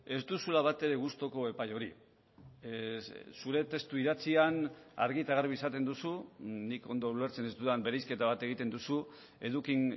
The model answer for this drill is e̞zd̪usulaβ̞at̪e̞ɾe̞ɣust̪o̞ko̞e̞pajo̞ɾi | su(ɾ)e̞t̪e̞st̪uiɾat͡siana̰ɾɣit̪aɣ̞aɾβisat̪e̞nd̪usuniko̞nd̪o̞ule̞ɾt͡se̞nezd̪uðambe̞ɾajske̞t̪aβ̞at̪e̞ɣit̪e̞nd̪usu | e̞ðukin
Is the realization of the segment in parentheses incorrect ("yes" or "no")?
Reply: no